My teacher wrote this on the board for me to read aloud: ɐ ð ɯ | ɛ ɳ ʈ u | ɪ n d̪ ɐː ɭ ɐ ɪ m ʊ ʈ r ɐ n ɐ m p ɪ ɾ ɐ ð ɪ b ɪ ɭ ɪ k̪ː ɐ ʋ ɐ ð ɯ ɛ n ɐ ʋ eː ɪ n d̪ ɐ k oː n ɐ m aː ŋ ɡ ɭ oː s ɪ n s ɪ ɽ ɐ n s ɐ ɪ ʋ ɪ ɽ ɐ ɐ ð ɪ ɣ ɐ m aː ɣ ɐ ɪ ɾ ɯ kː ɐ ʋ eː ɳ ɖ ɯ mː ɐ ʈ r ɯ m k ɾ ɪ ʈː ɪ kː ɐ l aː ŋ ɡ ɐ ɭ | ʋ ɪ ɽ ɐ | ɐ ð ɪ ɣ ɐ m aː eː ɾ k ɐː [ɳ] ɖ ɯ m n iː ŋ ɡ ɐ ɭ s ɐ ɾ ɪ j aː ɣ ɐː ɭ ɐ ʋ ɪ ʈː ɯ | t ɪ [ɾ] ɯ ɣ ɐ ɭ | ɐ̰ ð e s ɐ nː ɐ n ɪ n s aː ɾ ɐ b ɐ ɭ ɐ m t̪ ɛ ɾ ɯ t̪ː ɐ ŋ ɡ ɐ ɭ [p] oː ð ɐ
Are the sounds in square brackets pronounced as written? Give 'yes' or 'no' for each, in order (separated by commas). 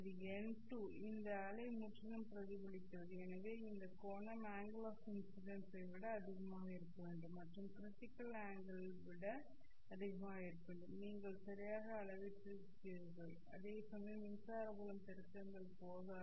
yes, yes, yes